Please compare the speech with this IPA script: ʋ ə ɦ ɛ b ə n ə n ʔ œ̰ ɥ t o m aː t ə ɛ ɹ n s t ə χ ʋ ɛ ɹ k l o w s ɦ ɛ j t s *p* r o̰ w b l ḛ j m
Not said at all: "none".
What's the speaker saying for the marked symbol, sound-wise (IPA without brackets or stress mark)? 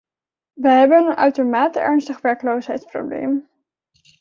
p